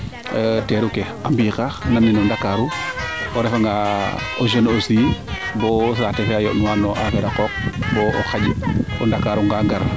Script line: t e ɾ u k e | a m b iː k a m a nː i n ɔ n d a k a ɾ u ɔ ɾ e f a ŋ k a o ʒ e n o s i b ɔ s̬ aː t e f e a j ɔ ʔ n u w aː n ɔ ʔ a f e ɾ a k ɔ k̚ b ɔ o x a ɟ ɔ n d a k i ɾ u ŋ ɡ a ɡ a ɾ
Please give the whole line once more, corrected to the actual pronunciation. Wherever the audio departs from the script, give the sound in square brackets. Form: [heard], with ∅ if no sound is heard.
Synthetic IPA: t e ɾ u k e | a m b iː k a [n] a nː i n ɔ n d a k a ɾ u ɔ ɾ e f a ŋ [ɡ] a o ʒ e n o s i b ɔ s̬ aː t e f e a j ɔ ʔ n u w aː n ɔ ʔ a f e ɾ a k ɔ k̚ b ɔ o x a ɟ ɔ n d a k [a] ɾ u ŋ ɡ a ɡ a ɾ

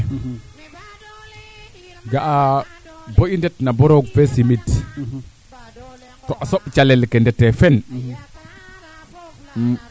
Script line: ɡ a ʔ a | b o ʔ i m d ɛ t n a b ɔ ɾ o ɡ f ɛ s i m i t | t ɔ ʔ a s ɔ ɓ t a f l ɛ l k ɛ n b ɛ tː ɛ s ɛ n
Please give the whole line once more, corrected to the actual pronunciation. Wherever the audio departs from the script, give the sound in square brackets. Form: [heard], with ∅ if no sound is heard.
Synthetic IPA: ɡ a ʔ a | b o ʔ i [n] d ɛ t n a b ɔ ɾ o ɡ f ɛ s i m i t | t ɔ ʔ a s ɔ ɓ [t͡ʃ] a [∅] l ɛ l k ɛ n [d] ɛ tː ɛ [f] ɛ n

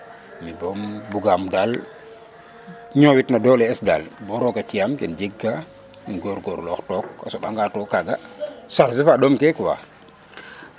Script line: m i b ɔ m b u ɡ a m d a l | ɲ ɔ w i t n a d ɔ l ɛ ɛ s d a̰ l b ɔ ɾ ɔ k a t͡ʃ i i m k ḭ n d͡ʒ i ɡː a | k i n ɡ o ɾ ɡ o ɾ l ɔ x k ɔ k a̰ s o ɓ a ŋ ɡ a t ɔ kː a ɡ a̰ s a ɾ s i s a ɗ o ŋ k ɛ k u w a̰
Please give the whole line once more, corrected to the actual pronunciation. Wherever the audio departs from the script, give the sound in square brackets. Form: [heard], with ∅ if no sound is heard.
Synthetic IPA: m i b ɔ m b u ɡ a m d a l | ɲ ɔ w i t n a d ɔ l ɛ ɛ s d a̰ l b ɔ ɾ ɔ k a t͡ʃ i [a] m k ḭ n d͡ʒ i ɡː a | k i n ɡ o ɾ ɡ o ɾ l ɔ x [t] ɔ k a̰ s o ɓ a ŋ ɡ a t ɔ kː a ɡ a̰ s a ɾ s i [f] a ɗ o [m] k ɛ k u w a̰

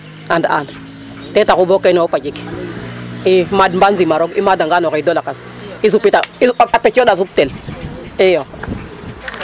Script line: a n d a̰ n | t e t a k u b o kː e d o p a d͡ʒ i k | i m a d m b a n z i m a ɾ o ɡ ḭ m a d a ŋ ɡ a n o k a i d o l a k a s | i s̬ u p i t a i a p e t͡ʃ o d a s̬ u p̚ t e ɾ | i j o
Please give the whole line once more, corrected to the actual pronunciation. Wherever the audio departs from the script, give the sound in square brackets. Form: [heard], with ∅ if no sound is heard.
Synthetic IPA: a n d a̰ n | t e t a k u b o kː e [n] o p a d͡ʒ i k | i m a d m b a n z i m a ɾ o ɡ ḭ m a d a ŋ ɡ a n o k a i d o l a k a s | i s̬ u p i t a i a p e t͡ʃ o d a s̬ u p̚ t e [l] | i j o

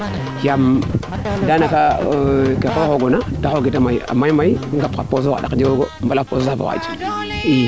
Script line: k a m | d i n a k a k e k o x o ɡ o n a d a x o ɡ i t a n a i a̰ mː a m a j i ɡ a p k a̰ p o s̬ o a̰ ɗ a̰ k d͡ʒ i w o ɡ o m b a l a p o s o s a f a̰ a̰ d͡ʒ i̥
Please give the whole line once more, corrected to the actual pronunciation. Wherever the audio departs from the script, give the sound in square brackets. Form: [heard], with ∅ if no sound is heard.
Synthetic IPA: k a m | d [a] n a k a k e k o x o ɡ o n a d a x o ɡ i t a [m] a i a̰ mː a m a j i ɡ a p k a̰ p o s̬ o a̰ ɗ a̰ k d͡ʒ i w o ɡ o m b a l a p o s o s a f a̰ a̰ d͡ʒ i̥

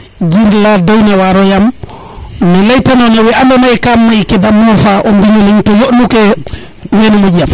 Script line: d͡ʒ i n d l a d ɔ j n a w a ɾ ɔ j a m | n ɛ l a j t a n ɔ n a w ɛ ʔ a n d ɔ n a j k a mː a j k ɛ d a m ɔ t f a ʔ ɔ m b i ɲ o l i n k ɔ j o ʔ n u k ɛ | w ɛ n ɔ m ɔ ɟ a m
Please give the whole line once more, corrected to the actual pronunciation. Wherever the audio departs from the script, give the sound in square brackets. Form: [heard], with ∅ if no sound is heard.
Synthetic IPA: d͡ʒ i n d l a d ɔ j n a w a ɾ ɔ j a m | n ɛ l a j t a n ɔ n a w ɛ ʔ a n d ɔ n a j k a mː a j k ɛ d a m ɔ [∅] f a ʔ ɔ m b i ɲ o l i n [t] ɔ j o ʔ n u k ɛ | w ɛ n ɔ m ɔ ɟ a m

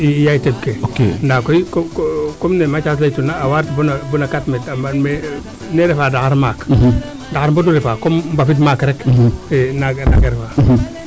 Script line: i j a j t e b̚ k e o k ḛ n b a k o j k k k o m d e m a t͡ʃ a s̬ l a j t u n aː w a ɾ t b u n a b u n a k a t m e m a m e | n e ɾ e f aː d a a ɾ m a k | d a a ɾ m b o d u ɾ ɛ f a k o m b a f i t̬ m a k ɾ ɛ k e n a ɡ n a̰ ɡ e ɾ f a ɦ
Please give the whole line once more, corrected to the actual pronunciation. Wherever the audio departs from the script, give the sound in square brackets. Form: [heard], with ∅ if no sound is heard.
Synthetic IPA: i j a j t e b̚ k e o k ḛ n [d] a k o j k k k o m [n] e m a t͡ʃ a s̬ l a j t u n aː w a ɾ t b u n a b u n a k a t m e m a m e | n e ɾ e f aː d a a ɾ m a k | d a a ɾ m b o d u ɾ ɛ f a k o m b a f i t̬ m a k ɾ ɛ k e n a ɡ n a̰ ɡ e ɾ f a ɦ

